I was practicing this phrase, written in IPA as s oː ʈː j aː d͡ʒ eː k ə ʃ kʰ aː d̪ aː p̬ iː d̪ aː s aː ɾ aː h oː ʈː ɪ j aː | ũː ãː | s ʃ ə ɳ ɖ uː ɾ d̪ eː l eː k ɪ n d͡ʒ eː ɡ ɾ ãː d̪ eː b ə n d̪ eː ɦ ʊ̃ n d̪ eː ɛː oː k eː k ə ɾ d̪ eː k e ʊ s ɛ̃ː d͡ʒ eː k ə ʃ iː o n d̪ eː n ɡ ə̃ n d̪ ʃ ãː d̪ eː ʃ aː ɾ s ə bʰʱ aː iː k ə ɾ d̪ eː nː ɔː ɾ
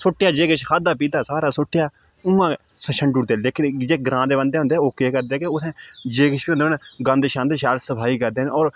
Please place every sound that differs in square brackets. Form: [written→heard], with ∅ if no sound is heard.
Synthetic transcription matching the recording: s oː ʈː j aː d͡ʒ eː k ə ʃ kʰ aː d̪ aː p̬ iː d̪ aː s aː ɾ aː [h→s] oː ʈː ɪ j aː | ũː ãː | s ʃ ə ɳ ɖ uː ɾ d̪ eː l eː k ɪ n d͡ʒ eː ɡ ɾ ãː d̪ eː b ə n d̪ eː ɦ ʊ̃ n d̪ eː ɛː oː k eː k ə ɾ d̪ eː k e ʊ s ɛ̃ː d͡ʒ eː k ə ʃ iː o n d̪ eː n ɡ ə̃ n d̪ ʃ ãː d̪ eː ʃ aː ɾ s ə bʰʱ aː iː k ə ɾ d̪ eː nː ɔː ɾ